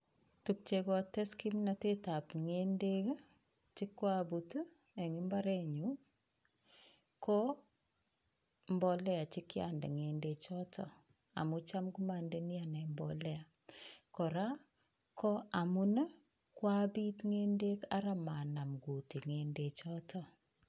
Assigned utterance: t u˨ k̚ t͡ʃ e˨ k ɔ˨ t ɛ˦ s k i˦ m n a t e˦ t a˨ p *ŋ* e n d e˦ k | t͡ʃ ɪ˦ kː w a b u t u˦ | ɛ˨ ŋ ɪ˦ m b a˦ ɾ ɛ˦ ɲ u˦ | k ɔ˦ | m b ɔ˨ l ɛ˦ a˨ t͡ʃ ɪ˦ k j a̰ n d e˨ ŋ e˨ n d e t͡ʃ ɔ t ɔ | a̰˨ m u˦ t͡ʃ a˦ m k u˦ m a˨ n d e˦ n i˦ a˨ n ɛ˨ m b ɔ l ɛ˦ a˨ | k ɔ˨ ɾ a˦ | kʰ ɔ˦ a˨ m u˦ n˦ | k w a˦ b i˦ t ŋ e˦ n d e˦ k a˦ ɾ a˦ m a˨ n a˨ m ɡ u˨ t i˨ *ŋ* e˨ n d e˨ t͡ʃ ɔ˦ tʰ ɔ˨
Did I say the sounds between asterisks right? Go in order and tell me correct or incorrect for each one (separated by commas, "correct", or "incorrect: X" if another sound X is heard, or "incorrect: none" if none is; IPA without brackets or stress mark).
correct, correct